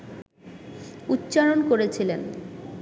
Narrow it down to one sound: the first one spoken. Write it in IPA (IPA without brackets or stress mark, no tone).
u